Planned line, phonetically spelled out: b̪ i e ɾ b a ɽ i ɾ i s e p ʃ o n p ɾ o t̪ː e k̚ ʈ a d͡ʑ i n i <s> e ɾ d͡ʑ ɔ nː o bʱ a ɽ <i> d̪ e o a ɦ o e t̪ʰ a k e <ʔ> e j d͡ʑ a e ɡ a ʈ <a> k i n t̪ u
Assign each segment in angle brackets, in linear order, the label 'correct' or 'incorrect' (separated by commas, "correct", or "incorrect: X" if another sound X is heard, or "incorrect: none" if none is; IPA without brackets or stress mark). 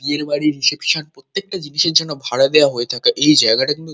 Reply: incorrect: ʃ, incorrect: a, correct, correct